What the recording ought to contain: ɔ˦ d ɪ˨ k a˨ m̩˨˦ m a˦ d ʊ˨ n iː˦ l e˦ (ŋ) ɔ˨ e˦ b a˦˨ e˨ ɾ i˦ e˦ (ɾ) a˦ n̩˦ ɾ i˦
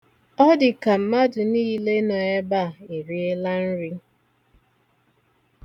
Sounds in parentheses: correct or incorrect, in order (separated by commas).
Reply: incorrect, incorrect